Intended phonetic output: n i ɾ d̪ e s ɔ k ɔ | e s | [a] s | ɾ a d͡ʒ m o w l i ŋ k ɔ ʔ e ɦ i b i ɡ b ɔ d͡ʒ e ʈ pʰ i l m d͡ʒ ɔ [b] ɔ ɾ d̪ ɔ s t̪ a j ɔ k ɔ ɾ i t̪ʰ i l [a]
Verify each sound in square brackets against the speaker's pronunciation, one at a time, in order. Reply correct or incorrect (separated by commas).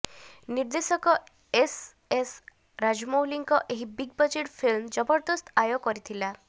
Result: incorrect, correct, correct